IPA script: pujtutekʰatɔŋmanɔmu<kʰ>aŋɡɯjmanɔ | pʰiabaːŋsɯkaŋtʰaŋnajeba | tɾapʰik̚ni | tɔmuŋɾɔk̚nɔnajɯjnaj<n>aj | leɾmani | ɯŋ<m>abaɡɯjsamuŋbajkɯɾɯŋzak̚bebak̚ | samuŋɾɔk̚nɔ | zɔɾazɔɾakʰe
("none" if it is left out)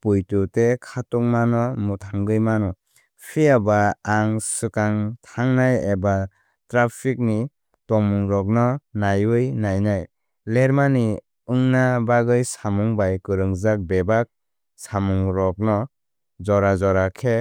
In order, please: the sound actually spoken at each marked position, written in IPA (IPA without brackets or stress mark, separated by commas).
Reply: tʰ, n, n